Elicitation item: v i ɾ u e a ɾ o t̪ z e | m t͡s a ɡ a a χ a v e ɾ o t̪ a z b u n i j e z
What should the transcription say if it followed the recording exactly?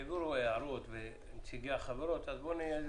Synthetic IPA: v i ɾ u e a ɾ o t̪ v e | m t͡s i ɡ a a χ a v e ɾ o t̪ a z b o n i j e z